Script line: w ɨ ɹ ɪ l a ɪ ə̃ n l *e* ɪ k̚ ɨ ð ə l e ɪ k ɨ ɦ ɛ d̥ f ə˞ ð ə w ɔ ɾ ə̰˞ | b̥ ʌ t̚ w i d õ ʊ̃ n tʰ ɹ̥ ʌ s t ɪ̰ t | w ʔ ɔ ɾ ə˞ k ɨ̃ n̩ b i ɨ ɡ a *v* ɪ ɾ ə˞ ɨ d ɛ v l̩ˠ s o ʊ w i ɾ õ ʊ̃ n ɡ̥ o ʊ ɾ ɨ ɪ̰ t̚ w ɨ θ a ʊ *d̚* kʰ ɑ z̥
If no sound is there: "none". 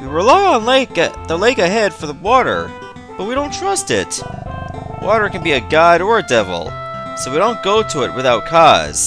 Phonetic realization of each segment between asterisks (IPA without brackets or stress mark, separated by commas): e, none, t̚